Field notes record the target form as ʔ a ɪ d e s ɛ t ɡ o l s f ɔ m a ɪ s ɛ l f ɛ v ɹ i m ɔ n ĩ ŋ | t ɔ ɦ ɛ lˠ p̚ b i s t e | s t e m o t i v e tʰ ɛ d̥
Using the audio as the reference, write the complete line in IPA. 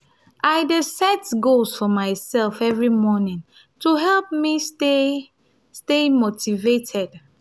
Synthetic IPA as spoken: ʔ a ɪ d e s ɛ t ɡ o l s f ɔ m a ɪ s ɛ l f ɛ v ɹ i m ɔ n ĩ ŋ | t u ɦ ɛ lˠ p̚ m i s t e | s t e m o t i v e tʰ ɛ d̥